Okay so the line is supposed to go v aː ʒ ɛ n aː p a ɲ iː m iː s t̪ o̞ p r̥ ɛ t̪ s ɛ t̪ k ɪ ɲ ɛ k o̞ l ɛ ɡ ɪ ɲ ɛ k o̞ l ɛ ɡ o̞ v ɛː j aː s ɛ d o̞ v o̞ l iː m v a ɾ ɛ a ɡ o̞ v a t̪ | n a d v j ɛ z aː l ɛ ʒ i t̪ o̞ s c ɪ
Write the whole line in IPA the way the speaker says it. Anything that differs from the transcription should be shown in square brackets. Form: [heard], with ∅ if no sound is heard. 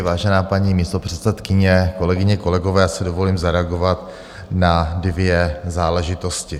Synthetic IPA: v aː ʒ ɛ n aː p a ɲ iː m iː s t̪ o̞ p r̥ ɛ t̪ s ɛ t̪ k ɪ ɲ ɛ k o̞ l ɛ ɡ ɪ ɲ ɛ k o̞ l ɛ ɡ o̞ v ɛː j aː s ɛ d o̞ v o̞ l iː m [z] a ɾ ɛ a ɡ o̞ v a t̪ | n a d v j ɛ z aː l ɛ ʒ [ɪ] t̪ o̞ s c ɪ